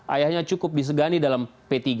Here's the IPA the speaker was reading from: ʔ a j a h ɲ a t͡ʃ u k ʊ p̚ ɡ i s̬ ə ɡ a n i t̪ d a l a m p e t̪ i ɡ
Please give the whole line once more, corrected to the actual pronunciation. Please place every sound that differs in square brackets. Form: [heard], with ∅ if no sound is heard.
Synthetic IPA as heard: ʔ a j a h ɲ a t͡ʃ u k ʊ p̚ [d] i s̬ ə ɡ a n i [∅] d a l a m p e t̪ i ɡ